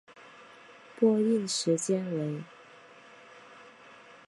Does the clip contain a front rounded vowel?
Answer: no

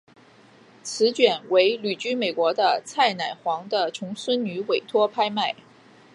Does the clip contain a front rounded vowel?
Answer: yes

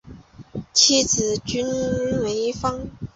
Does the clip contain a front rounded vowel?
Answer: yes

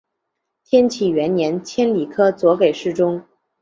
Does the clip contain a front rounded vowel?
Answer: no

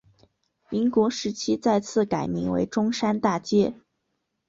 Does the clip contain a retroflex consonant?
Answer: yes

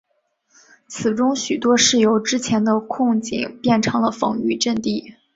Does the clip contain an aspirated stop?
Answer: yes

